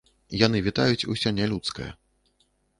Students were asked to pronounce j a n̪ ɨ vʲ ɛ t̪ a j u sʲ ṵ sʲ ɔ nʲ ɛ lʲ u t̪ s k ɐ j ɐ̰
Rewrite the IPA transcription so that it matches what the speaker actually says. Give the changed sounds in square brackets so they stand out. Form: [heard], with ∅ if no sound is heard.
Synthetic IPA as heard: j a n̪ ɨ vʲ [i] t̪ a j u [t͡sʲ] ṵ sʲ ɔ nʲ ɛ lʲ u t̪ s k ɐ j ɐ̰